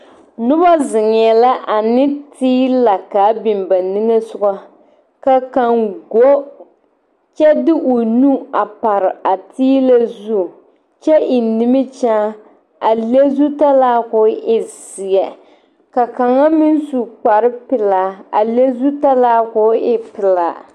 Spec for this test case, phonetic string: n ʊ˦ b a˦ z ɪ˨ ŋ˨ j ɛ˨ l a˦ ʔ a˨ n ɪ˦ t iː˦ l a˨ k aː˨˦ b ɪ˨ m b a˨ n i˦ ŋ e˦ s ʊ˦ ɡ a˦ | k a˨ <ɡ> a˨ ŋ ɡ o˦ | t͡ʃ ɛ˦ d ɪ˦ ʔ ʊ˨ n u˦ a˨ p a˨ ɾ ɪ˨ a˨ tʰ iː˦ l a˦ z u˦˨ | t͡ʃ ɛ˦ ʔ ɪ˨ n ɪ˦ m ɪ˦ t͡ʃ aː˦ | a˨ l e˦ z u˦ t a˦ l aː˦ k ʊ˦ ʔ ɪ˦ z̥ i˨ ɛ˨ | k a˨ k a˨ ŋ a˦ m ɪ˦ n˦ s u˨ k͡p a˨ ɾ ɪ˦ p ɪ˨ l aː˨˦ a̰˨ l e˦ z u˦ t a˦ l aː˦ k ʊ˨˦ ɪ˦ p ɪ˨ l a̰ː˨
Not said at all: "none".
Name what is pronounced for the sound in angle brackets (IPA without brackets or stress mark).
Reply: k